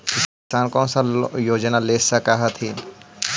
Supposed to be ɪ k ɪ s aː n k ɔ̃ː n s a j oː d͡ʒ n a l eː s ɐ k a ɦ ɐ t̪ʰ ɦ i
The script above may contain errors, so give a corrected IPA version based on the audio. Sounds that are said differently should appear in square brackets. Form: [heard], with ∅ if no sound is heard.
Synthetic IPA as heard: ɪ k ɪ s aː n k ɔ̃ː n s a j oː d͡ʒ n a l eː s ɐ k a ɦ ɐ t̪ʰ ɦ i